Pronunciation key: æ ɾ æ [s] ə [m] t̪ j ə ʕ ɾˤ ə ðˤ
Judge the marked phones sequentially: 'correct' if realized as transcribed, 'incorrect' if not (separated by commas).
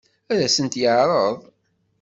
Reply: correct, incorrect